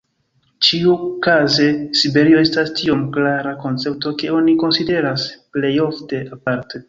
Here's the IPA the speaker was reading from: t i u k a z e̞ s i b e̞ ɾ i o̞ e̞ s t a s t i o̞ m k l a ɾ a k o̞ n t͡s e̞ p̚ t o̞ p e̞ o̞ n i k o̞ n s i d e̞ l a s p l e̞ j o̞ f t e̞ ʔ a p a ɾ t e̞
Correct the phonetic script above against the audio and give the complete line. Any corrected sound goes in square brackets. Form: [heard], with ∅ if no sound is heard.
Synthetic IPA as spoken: [t͡ʃ] i u k a z e̞ s i b e̞ ɾ i o̞ e̞ s t a s t i o̞ m k l a ɾ a k o̞ n t͡s e̞ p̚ t o̞ [k] e̞ o̞ n i k o̞ n s i d e̞ [ɾ] a s p l e̞ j o̞ f t e̞ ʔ a p a ɾ t e̞